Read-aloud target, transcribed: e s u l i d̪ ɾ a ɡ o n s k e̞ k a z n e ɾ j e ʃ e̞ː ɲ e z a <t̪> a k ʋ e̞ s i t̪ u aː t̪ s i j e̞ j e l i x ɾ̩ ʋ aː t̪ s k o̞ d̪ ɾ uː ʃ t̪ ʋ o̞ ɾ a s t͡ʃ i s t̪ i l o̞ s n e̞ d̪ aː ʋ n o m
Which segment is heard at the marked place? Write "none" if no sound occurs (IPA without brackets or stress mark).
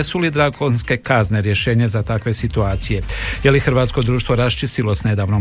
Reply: t̪